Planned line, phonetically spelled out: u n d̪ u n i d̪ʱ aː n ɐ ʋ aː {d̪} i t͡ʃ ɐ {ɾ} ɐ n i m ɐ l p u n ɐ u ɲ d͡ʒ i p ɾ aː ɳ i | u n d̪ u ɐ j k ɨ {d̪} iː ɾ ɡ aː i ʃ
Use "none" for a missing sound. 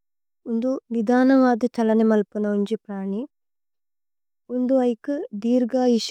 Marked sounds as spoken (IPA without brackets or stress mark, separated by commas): d̪, l, d̪